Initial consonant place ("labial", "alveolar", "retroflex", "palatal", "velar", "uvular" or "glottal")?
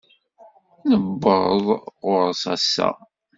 alveolar